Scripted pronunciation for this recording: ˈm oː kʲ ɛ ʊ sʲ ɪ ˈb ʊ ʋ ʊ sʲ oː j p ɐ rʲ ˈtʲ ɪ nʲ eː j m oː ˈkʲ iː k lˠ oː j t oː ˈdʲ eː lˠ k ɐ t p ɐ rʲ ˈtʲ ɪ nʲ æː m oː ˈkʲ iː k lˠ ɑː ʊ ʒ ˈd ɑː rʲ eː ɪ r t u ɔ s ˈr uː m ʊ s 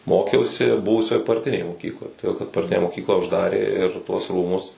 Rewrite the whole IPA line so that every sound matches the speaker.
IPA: ˈm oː kʲ ɛ ʊ sʲ ɪ ˈb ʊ ʋ ʊ sʲ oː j p ɐ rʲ ˈtʲ ɪ nʲ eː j m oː ˈkʲ iː k lˠ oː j t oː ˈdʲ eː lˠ k ɐ t p ɐ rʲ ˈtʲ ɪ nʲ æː m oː ˈkʲ iː k lˠ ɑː ʊ ʒ ˈd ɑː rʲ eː ɪ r t u ɔ s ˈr uː m ʊ s